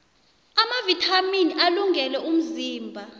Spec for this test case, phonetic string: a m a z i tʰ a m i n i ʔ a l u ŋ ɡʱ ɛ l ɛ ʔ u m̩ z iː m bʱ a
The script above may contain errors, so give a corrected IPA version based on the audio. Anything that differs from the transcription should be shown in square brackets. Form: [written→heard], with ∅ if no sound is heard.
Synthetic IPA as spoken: a m a [z→v] i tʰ a m i n i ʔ a l u ŋ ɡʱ ɛ l ɛ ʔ u m̩ z iː m bʱ a

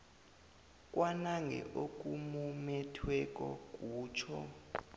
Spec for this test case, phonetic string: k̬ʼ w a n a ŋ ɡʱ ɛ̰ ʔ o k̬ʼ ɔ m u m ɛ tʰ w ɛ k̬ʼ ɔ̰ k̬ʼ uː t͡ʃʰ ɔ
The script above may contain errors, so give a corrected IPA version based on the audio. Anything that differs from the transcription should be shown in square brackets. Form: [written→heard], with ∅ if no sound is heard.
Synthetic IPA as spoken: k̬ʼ w a n a ŋ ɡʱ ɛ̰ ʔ o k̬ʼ [ɔ→u] m u m ɛ tʰ w ɛ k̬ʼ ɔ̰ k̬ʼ uː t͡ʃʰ ɔ

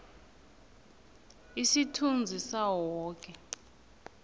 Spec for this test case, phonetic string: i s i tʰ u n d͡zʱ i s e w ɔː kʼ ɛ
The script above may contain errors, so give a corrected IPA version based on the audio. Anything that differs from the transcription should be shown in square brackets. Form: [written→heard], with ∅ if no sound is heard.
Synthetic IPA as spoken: i s i tʰ u n d͡zʱ i s [e→a] w ɔː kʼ ɛ

